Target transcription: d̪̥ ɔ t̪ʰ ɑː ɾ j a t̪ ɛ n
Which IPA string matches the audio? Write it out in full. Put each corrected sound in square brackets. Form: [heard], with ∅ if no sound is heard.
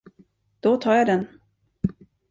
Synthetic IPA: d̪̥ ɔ t̪ʰ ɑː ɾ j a [d̪] ɛ n